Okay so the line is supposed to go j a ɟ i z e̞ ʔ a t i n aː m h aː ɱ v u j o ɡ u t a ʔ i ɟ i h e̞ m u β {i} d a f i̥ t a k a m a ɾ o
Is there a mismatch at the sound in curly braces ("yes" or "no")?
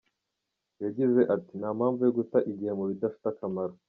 no